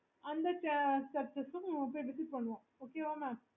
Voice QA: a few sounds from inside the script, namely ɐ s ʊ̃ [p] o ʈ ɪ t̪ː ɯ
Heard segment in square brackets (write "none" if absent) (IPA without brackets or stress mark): p